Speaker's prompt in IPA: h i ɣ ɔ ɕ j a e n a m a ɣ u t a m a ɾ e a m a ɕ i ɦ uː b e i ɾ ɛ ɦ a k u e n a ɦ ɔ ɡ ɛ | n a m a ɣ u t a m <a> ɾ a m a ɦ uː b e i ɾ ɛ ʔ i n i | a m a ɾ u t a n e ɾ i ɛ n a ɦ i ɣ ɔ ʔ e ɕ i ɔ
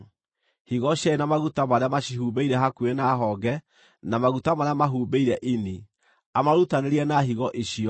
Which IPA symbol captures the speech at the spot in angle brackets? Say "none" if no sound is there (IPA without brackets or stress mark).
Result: a